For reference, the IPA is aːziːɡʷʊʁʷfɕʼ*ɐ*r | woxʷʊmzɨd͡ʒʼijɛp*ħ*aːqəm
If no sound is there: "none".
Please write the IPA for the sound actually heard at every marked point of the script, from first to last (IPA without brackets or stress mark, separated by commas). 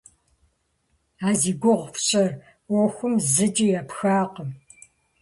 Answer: ɐ, x